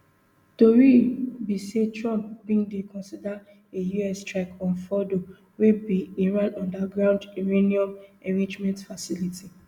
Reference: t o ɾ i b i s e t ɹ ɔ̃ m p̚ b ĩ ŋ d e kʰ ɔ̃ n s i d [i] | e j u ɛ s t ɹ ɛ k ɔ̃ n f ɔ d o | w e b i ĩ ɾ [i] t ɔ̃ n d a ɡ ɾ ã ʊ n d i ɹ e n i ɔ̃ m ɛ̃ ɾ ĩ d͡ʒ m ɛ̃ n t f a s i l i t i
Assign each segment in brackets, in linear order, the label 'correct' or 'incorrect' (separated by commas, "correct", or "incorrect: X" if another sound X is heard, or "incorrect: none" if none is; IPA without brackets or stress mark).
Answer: incorrect: a, incorrect: a